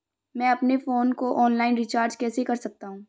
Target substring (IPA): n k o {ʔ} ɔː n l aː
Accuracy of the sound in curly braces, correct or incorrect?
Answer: correct